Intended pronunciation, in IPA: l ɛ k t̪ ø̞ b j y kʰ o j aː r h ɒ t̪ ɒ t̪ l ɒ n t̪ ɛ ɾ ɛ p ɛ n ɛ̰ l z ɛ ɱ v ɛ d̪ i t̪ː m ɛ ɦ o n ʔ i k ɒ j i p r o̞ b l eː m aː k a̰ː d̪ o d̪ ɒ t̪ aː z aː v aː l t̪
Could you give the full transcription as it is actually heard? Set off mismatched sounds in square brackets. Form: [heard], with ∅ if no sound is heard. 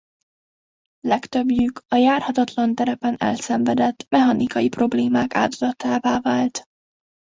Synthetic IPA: l ɛ k t̪ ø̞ b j y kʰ [ɒ] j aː r h ɒ t̪ ɒ t̪ l ɒ n t̪ ɛ ɾ ɛ p ɛ n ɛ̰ l [s] ɛ ɱ v ɛ d̪ [ɛ] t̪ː m ɛ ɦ [ɒ] n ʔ i k ɒ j i p r o̞ b l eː m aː k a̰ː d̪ o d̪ ɒ t̪ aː [v] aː v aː l t̪